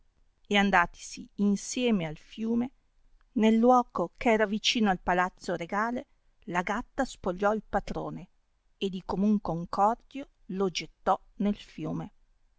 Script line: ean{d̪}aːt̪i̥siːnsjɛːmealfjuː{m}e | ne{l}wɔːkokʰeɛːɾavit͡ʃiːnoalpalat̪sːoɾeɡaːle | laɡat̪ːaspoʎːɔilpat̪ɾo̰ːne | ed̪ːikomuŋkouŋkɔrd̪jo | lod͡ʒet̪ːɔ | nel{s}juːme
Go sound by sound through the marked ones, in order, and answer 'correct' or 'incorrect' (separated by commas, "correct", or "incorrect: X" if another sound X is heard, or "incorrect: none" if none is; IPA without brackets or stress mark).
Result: correct, correct, incorrect: lː, incorrect: f